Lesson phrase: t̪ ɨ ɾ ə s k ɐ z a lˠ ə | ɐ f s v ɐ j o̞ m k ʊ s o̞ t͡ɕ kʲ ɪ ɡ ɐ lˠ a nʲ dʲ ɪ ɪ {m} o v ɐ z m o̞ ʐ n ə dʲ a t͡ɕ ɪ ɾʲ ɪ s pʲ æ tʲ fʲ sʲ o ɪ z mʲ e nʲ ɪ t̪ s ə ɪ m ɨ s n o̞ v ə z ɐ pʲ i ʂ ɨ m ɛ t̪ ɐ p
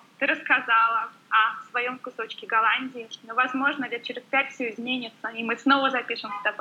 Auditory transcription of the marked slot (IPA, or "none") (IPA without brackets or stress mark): n